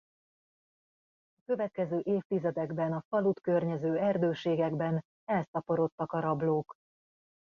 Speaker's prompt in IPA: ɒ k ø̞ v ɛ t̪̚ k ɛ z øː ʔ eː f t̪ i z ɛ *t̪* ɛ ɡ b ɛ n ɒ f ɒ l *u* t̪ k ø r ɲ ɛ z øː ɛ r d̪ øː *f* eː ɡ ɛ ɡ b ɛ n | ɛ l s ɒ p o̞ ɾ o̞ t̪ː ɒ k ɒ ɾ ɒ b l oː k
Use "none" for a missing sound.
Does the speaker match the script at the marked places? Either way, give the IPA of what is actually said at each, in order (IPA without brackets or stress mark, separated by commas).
d̪, u, ʃ